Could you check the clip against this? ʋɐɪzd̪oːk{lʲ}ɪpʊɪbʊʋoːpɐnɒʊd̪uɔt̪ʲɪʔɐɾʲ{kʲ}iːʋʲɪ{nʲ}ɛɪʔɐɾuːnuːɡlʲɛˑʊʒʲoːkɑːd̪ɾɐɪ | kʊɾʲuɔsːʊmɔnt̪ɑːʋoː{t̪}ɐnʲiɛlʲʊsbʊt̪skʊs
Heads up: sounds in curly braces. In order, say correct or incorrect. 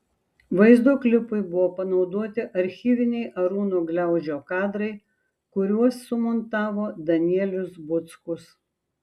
correct, incorrect: xʲ, correct, incorrect: d̪

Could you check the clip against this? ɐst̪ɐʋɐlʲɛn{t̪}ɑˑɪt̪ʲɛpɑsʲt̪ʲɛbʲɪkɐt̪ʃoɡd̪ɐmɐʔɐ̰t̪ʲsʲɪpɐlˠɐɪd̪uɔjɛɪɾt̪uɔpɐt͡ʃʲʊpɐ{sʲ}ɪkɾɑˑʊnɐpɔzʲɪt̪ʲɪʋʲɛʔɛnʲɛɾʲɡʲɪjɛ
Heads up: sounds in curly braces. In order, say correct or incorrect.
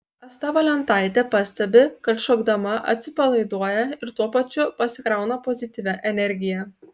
correct, correct

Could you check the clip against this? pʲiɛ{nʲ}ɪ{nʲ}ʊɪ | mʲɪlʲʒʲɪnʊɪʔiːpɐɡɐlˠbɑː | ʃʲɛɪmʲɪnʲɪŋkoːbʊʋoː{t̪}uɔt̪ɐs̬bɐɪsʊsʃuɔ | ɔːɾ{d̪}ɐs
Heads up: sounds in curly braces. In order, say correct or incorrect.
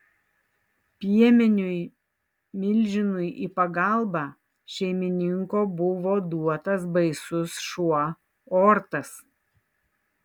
incorrect: mʲ, correct, incorrect: d̪, incorrect: t̪

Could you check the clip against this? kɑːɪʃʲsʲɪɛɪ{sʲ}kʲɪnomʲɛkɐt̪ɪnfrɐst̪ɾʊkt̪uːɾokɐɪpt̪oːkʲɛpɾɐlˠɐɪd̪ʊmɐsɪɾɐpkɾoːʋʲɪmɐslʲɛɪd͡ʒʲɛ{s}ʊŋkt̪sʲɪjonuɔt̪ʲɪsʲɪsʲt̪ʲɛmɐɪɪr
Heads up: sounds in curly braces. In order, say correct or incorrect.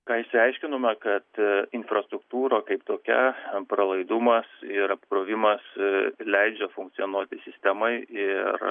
incorrect: ʃʲ, incorrect: f

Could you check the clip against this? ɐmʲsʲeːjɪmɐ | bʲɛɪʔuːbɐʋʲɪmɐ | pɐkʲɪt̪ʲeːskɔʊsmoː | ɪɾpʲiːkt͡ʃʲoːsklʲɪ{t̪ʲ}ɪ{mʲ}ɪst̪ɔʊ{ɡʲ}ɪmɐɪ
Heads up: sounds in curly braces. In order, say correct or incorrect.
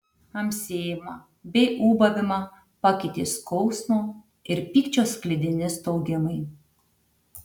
incorrect: d̪ʲ, incorrect: nʲ, correct

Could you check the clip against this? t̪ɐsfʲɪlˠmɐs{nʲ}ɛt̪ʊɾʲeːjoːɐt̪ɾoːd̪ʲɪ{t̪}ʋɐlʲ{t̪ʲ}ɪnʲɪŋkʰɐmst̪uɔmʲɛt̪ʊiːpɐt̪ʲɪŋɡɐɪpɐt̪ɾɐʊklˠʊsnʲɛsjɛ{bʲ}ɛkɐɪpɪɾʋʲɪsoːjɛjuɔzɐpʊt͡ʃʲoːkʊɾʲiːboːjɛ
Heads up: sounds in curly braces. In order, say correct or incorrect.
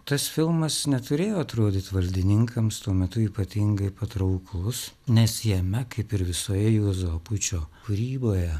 correct, correct, incorrect: d̪ʲ, incorrect: mʲ

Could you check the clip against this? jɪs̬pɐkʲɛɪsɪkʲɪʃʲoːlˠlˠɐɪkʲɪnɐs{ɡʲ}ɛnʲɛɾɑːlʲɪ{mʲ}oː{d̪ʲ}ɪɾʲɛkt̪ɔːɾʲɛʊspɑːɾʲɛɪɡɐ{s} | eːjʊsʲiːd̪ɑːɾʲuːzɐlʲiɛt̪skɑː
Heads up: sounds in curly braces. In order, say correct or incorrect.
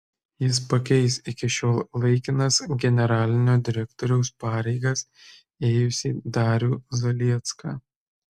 correct, incorrect: nʲ, correct, correct

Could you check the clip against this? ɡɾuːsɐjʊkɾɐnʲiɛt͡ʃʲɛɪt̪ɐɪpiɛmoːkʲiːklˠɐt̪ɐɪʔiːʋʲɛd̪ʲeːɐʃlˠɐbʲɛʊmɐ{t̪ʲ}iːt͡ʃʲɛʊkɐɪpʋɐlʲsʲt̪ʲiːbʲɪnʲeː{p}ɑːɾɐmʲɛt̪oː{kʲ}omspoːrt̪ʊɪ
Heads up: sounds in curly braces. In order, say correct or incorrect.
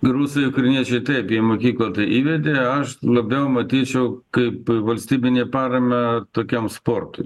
correct, correct, correct

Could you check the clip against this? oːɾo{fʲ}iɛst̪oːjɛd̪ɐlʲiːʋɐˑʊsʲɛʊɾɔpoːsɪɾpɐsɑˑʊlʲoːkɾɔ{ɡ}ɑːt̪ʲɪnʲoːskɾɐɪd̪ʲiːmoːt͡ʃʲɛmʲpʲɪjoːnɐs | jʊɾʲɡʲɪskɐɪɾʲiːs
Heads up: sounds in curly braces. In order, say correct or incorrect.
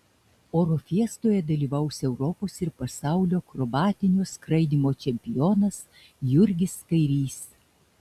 correct, incorrect: b

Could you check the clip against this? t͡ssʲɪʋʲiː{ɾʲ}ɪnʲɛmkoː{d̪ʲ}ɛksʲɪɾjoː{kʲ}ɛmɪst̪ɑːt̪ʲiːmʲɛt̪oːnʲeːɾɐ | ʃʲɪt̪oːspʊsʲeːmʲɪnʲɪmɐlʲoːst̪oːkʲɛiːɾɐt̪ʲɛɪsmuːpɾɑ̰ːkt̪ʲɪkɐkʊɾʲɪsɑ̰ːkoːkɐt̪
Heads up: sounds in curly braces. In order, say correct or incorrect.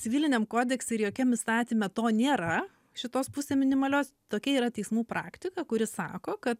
incorrect: lʲ, correct, correct

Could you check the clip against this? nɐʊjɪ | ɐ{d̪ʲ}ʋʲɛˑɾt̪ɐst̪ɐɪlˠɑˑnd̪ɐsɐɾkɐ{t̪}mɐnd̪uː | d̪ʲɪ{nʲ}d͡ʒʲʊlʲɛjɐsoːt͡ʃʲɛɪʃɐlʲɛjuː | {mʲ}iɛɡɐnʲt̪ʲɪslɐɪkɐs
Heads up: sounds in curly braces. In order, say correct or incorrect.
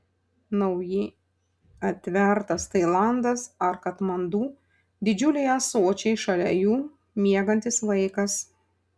incorrect: t̪ʲ, correct, incorrect: none, correct

